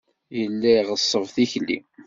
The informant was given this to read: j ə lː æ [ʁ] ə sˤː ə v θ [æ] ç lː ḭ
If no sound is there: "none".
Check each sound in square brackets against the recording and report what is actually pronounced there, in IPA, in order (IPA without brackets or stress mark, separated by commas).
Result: ʁ, i